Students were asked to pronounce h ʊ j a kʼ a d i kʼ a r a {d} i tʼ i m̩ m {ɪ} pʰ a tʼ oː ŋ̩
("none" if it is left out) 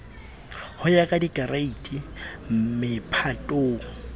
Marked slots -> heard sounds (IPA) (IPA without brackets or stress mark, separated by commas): none, ɪ